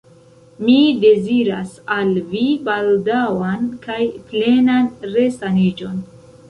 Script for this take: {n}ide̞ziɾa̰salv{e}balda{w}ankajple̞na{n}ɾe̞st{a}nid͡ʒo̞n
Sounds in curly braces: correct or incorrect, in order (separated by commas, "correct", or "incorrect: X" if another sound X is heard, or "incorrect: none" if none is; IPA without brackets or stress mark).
incorrect: m, incorrect: i, correct, correct, correct